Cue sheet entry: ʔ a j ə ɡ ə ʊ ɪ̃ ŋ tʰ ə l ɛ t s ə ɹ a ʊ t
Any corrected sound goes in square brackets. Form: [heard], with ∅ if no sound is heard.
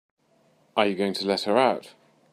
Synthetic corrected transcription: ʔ [ə] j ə ɡ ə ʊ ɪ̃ ŋ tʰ ə l ɛ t [h] ə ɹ a ʊ t